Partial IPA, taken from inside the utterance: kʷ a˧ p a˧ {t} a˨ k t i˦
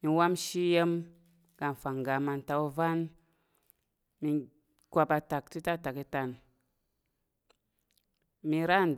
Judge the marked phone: correct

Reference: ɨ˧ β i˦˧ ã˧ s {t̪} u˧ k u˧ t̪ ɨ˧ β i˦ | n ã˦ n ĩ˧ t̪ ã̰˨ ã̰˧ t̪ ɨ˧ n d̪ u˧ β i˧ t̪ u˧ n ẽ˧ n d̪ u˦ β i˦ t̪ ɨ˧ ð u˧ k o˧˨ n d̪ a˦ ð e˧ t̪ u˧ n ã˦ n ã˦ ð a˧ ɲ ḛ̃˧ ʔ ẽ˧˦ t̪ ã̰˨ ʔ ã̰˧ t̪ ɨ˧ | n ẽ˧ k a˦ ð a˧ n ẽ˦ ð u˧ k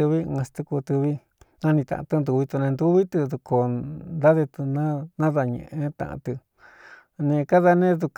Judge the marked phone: correct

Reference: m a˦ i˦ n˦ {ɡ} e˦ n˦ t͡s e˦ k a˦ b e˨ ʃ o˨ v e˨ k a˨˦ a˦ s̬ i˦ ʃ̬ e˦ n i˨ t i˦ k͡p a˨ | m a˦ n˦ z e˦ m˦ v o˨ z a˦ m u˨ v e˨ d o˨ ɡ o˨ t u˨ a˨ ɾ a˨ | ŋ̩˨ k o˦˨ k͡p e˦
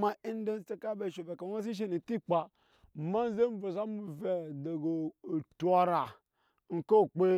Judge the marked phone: incorrect: d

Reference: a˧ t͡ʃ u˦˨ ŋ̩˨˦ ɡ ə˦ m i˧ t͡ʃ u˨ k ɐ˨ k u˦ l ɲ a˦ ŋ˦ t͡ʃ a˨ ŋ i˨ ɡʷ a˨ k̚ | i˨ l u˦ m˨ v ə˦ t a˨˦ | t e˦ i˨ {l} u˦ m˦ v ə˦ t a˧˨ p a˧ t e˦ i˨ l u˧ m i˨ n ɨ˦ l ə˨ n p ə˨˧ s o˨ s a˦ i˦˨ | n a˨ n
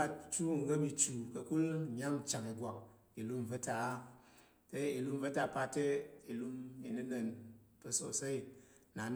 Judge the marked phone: correct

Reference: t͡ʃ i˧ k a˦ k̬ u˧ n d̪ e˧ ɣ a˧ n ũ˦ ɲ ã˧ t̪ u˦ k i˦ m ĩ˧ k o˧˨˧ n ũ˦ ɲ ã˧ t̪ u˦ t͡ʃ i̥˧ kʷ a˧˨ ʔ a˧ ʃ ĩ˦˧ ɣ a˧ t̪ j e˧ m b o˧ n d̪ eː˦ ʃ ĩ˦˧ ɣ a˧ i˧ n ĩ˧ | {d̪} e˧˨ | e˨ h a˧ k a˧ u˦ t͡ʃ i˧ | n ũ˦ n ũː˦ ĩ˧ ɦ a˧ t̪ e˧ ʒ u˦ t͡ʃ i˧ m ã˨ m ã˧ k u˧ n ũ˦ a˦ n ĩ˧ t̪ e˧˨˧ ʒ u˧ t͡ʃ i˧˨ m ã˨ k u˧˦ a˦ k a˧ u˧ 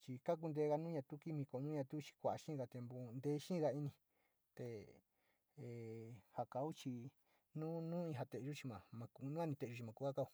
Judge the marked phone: incorrect: t̪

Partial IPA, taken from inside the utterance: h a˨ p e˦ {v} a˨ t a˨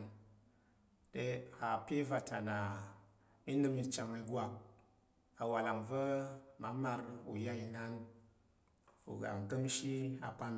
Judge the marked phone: correct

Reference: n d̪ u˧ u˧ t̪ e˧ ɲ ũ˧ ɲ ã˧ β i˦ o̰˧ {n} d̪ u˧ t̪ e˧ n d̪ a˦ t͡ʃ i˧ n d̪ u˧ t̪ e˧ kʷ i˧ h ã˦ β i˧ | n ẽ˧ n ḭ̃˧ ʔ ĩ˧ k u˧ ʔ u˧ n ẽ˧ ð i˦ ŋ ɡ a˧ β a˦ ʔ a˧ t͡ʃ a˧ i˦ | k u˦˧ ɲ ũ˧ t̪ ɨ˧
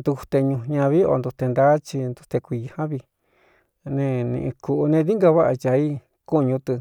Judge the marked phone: correct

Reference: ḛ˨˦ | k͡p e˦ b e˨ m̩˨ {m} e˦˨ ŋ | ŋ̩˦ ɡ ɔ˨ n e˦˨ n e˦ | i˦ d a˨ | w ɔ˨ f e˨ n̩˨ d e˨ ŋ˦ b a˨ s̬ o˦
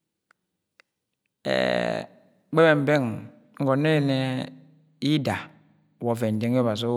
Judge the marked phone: incorrect: b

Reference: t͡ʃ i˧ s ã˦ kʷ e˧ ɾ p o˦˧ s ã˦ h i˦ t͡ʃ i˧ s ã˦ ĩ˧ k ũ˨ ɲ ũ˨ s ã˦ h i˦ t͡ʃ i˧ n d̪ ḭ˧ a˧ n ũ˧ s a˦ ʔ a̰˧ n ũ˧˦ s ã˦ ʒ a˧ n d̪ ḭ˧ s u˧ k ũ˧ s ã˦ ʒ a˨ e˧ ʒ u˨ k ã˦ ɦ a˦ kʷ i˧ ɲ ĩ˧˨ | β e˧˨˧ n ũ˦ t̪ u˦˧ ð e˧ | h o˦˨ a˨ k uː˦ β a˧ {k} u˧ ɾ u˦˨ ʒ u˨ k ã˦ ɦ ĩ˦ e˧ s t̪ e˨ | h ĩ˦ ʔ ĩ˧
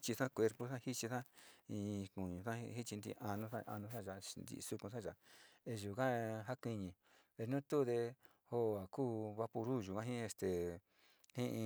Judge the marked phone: incorrect: p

